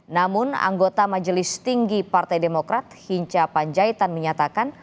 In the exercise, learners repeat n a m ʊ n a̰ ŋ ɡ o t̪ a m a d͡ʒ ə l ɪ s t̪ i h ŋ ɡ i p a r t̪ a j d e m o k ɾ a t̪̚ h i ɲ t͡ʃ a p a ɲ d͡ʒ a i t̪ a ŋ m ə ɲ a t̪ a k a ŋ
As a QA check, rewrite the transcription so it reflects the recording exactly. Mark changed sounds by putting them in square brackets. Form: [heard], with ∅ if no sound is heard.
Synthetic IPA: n a m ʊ n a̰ ŋ ɡ o t̪ a m a d͡ʒ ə l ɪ s t̪ i [∅] ŋ ɡ i p a r t̪ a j d e m o k ɾ a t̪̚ h i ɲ t͡ʃ a p a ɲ d͡ʒ a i t̪ a [n] m ə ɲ a t̪ a k a [n]